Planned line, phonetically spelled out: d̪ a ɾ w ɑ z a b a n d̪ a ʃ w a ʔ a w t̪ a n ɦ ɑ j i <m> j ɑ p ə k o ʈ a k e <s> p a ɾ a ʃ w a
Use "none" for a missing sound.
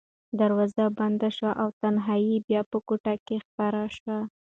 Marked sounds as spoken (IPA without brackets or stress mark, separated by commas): b, x